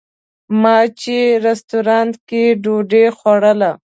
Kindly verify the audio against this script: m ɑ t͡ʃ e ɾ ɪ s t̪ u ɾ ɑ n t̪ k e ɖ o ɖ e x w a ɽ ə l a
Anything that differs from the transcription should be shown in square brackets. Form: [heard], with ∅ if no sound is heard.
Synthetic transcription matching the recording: m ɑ t͡ʃ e ɾ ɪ s t̪ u ɾ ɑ n t̪ k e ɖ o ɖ e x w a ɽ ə l a